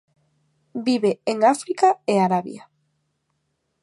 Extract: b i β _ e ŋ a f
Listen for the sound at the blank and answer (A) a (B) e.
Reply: B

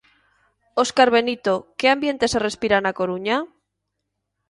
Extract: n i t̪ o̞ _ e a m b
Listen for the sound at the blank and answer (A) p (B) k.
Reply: B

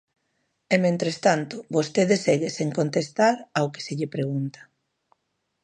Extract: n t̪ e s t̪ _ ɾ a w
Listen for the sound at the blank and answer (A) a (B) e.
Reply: A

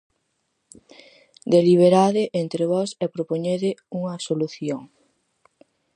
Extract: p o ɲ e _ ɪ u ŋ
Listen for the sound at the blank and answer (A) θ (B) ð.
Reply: B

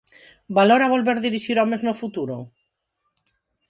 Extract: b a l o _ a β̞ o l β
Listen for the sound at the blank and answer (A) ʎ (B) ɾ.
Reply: B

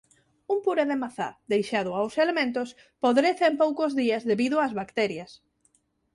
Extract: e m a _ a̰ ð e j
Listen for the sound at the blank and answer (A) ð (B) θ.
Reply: B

